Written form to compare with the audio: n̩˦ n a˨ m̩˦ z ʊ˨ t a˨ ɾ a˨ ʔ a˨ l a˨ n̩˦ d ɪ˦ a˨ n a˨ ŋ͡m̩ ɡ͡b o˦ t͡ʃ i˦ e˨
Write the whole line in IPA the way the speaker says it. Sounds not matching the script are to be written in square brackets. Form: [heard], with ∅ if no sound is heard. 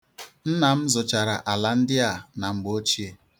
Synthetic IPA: n̩˦ n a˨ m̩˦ z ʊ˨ [t͡ʃ] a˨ ɾ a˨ ʔ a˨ l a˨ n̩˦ d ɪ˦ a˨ n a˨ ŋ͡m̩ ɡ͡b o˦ t͡ʃ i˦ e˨